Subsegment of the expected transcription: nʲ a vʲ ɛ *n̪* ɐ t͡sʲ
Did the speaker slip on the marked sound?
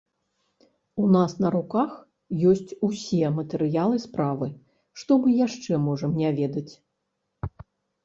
yes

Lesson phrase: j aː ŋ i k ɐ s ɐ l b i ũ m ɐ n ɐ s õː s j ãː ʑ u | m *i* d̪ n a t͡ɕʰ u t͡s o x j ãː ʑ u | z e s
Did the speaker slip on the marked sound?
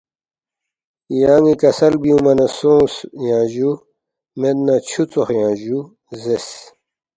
yes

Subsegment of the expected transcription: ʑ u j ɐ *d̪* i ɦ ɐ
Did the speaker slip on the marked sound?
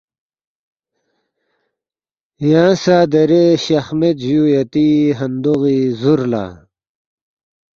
yes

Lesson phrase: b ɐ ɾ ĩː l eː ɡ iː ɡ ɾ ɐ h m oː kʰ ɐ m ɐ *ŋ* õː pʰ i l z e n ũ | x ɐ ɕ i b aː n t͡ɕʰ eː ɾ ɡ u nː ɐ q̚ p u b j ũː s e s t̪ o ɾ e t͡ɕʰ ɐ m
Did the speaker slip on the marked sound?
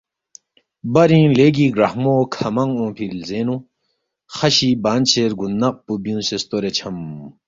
no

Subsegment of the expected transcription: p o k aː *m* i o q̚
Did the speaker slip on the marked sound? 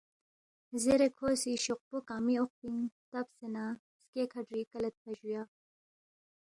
no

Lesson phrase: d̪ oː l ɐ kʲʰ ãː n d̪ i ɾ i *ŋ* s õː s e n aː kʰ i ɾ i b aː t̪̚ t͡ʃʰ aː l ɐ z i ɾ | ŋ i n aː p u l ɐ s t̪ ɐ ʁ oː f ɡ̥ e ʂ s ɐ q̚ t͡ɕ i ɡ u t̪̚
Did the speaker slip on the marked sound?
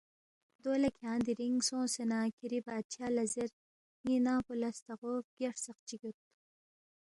no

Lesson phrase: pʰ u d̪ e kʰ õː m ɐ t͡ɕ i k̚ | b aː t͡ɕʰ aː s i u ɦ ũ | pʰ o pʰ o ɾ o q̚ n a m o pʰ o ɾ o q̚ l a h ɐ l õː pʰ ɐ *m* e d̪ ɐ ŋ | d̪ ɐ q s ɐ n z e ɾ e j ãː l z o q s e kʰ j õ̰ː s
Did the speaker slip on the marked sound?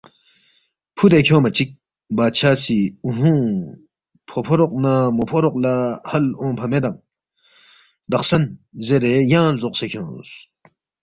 no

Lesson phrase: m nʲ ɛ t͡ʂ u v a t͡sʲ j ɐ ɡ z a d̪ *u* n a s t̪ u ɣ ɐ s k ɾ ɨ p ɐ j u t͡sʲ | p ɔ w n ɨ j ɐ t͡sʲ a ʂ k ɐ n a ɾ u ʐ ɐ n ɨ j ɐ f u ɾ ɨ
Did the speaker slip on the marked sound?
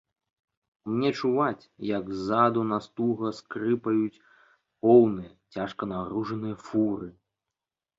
no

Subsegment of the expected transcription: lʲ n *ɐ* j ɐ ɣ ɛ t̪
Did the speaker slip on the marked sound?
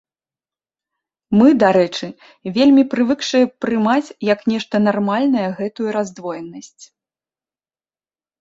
no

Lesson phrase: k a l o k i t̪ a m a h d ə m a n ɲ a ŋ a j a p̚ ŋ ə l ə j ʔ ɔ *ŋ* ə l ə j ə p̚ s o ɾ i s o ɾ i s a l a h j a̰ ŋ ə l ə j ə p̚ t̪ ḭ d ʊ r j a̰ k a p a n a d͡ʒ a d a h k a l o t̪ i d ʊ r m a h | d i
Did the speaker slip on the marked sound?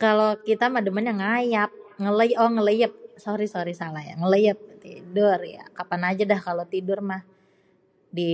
no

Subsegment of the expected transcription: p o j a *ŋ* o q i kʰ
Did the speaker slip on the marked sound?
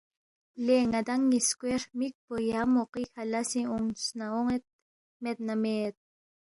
yes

